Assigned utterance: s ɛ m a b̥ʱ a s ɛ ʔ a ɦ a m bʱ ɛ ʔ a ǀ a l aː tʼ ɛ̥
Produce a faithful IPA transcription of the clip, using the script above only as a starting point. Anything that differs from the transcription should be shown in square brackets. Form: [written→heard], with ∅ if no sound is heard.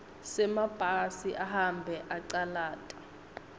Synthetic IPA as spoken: s ɛ m a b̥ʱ a s [ɛ→i] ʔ a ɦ a m bʱ ɛ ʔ a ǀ a l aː tʼ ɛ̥